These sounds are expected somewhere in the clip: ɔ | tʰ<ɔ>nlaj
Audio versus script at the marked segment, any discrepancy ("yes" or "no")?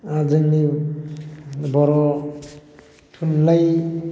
yes